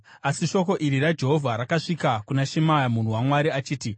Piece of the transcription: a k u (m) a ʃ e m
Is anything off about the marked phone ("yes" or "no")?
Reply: yes